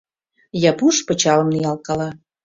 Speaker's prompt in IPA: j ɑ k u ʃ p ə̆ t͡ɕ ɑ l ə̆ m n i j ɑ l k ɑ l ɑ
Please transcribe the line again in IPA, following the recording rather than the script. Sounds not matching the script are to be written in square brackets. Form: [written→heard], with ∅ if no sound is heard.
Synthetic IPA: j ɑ [k→p] u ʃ p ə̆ t͡ɕ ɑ l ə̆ m n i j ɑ l k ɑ l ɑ

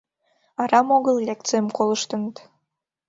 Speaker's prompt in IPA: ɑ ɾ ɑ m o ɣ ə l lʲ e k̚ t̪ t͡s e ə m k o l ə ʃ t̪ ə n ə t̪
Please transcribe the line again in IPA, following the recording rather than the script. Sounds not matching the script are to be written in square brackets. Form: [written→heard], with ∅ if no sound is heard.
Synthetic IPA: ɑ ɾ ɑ m o ɣ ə l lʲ e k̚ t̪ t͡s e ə m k o l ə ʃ t̪ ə n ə t̪

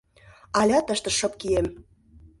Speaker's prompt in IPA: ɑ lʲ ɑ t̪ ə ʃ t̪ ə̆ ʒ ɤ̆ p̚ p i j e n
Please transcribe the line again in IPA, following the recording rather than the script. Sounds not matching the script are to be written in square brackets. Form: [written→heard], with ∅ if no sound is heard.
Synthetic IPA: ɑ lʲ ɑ t̪ ə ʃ t̪ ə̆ [ʒ→ʃ] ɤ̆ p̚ [p→k] i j e [n→m]

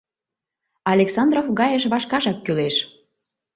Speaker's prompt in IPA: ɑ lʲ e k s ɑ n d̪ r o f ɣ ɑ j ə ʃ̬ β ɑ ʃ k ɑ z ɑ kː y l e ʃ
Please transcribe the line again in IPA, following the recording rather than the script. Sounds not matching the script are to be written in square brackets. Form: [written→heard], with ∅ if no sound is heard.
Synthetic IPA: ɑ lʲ e k s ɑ n d̪ r o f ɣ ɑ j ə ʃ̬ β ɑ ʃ k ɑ [z→ʒ] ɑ kː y l e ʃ

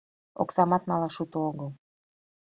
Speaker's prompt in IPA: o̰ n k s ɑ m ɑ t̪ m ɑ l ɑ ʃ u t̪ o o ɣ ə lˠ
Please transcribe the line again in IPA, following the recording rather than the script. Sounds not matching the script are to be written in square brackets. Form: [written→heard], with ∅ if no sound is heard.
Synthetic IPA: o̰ [n→∅] k s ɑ m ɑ t̪ [m→n] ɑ l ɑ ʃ u t̪ o o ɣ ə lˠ

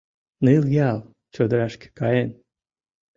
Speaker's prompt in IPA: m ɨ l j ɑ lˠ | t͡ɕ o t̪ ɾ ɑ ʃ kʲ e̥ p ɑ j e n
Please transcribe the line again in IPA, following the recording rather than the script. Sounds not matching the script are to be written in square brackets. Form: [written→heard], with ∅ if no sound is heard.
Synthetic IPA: [m→n] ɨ l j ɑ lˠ | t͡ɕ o [t̪→d̪] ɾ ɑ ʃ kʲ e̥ [p→k] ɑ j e n

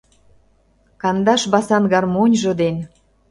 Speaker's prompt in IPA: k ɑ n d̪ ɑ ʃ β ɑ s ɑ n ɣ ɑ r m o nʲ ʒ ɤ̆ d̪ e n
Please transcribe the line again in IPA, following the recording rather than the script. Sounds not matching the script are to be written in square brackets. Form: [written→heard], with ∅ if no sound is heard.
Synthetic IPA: k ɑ n d̪ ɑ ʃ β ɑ s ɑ n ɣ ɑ r m o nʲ ʒ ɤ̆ d̪ e n

